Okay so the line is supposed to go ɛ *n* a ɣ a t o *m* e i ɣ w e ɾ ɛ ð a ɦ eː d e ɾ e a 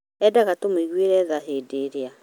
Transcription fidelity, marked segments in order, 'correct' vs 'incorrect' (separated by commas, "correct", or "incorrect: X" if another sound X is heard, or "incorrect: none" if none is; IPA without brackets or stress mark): incorrect: d, correct